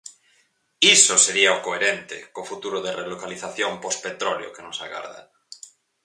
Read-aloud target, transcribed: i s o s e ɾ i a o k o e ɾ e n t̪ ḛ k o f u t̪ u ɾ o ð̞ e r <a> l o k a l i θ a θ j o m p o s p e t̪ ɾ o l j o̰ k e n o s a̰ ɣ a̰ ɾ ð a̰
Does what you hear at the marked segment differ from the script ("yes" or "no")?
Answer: yes